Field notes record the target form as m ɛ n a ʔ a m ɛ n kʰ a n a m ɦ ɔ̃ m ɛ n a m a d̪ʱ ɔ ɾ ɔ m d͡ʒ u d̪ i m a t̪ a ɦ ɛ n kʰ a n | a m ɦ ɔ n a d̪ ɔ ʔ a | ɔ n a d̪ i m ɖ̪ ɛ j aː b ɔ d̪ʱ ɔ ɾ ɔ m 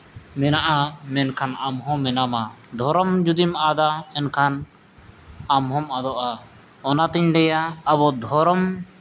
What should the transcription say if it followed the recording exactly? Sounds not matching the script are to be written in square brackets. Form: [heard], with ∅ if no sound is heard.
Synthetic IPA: m ɛ n a ʔ a m ɛ n kʰ a n a m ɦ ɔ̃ m ɛ n a m a d̪ʱ ɔ ɾ ɔ m d͡ʒ u d̪ i m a [d̪] a [∅] ɛ n kʰ a n | a m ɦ ɔ [m] a d̪ ɔ ʔ a | ɔ n a [t̪] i [ɲ] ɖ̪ ɛ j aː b ɔ d̪ʱ ɔ ɾ ɔ m

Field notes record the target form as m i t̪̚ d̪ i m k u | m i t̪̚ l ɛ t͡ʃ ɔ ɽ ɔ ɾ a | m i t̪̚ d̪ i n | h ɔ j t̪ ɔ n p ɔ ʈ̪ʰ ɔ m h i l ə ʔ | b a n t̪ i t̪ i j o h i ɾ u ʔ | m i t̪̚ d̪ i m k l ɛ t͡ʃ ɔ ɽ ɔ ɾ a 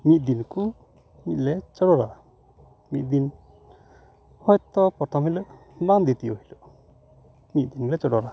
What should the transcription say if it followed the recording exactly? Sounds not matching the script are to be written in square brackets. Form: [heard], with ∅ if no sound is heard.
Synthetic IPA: m i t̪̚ d̪ i [n] k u | m i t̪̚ l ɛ t͡ʃ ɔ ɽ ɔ ɾ a | m i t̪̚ d̪ i n | h ɔ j t̪ ɔ [∅] p ɔ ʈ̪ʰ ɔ m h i l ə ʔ | b a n [d̪] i t̪ i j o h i [l] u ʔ | m i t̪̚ d̪ i [n] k l ɛ t͡ʃ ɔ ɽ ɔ ɾ a

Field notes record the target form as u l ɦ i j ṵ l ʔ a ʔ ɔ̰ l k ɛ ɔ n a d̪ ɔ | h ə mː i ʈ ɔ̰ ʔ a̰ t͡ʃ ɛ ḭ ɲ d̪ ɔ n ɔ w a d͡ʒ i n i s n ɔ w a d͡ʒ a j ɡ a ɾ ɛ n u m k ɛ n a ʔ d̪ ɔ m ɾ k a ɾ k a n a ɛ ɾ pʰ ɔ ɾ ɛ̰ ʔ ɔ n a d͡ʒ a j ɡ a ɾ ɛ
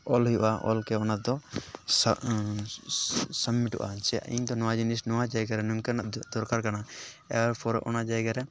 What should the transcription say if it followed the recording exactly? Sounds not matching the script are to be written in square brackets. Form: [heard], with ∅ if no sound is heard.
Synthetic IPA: [ɔ] l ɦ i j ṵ [∅] ʔ a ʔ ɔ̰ l k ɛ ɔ n a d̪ ɔ | [s] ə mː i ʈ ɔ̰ ʔ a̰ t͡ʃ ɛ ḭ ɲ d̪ ɔ n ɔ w a d͡ʒ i n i s n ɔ w a d͡ʒ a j ɡ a ɾ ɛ n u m k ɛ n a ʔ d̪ ɔ [∅] ɾ k a ɾ k a n a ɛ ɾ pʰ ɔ ɾ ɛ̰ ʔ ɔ n a d͡ʒ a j ɡ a ɾ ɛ

